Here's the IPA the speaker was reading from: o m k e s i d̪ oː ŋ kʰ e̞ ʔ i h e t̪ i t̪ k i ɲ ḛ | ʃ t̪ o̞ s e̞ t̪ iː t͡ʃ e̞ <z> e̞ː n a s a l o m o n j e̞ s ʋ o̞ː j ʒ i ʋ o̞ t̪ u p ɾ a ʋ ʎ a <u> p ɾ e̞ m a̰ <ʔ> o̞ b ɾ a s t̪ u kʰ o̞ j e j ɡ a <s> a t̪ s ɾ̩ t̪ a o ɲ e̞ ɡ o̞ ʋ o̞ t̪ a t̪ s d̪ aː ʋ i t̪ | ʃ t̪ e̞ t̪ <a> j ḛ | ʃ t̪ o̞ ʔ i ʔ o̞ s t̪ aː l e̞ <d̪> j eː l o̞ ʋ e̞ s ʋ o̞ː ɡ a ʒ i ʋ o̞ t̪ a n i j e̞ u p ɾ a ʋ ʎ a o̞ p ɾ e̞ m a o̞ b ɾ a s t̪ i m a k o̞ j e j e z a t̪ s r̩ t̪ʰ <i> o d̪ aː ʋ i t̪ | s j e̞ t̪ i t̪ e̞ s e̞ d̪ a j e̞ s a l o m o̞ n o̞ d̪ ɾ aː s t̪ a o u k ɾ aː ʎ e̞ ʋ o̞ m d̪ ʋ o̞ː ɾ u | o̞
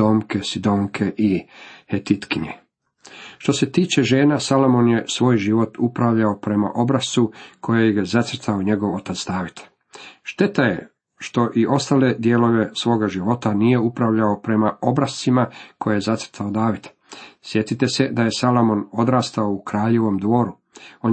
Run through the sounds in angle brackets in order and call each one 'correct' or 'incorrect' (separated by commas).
incorrect, incorrect, correct, incorrect, correct, correct, incorrect